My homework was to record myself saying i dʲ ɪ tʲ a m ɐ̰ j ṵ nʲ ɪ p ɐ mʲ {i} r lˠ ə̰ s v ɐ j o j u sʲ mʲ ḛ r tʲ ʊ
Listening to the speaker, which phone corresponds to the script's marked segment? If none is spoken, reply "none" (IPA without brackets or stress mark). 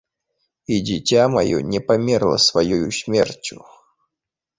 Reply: e